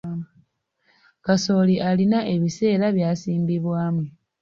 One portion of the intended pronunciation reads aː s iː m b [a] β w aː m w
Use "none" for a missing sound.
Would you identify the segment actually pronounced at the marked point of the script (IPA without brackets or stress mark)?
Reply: i